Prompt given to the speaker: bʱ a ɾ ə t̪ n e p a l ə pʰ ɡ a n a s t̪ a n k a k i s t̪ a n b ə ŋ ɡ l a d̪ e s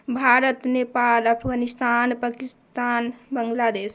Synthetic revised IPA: bʱ a ɾ ə t̪ n e p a l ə pʰ ɡ a n i s t̪ a n p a k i s t̪ a n b ə ŋ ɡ l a d̪ e s